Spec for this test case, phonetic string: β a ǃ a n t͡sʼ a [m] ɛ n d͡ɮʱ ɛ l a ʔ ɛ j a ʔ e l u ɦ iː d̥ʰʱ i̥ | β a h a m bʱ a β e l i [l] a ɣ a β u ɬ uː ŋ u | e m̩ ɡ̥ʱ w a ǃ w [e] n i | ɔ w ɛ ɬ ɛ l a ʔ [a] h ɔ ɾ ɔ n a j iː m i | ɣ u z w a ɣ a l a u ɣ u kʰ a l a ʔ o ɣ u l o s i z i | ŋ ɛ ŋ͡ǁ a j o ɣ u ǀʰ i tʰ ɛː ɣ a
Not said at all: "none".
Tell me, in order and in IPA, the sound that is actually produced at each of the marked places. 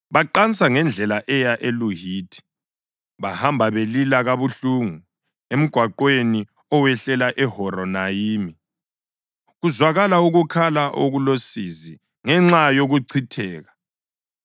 ŋ, l, e, ɛ

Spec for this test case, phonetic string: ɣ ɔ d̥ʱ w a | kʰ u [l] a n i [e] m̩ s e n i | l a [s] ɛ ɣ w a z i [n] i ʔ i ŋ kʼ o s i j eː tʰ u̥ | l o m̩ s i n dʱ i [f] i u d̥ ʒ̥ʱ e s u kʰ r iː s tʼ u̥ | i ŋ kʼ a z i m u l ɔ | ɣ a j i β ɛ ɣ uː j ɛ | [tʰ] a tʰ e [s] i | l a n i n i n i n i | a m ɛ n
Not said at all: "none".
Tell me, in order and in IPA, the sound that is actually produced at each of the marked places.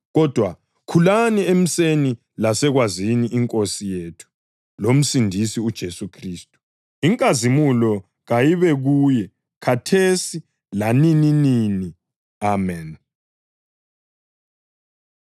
l, e, s, n, s, kʰ, s

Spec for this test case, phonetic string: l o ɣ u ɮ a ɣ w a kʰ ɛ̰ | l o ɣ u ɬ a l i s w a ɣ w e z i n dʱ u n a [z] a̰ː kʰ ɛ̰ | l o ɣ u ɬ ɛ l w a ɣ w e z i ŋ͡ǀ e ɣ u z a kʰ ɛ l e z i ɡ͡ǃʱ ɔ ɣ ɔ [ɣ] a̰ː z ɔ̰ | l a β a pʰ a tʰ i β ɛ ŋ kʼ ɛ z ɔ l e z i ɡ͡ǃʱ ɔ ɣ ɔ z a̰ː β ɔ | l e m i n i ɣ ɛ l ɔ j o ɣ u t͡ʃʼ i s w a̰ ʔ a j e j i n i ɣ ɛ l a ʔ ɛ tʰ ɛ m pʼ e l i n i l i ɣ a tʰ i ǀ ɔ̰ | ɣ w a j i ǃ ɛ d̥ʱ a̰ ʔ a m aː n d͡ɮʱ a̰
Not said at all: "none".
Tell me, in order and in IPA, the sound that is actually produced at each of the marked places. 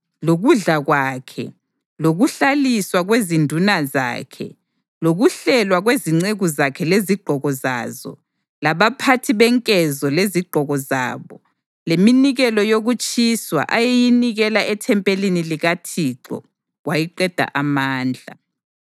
z, z

